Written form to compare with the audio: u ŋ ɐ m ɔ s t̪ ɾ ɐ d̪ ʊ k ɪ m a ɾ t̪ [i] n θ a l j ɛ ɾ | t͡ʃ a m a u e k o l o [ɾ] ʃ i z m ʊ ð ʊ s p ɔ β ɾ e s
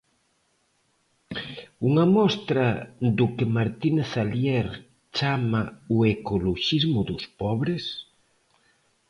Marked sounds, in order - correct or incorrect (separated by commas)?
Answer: correct, incorrect